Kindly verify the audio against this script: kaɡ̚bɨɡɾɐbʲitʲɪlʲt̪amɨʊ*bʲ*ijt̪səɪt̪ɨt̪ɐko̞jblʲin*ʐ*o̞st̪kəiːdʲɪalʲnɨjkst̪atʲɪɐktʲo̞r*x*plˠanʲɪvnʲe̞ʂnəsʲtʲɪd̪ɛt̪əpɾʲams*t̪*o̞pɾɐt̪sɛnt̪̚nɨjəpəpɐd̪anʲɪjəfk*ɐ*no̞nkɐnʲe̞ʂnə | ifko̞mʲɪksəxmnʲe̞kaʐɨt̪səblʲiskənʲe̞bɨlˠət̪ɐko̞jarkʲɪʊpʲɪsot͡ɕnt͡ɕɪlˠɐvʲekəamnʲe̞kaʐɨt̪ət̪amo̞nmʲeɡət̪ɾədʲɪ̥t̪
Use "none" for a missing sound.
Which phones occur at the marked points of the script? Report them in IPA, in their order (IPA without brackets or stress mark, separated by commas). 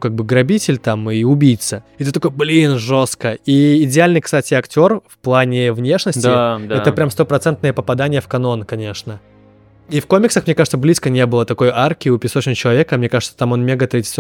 bʲ, ʐ, f, t̪, ɐ